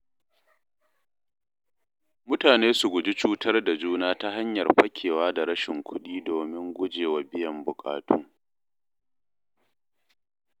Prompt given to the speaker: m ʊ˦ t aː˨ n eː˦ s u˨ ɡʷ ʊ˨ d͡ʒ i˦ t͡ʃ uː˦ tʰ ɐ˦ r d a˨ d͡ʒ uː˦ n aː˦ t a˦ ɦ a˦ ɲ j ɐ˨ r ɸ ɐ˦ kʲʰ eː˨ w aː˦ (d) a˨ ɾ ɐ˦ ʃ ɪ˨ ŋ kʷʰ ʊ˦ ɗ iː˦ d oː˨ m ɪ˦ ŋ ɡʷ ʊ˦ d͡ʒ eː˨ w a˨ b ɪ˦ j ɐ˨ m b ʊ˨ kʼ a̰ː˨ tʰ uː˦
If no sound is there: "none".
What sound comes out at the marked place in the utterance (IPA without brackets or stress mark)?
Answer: d